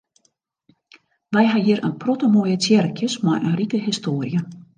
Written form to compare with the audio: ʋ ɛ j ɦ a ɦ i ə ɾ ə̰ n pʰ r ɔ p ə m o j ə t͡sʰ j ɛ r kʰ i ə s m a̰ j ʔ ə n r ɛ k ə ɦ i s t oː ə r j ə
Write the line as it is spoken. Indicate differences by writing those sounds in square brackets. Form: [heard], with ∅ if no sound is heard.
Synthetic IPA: ʋ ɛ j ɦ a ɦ i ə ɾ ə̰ n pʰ r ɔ [t] ə m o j ə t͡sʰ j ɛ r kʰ [j] ə s m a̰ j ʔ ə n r [i] k ə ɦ i s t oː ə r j ə